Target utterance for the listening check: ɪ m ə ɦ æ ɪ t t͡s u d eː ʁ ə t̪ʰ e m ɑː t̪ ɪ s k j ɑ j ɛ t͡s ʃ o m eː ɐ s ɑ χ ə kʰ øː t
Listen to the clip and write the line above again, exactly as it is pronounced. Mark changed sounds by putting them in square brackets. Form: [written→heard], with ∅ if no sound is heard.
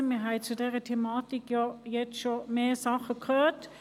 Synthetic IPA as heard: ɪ m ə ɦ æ ɪ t t͡s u d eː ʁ ə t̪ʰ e m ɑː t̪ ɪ [s→∅] k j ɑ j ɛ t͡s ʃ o m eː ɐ s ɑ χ ə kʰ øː t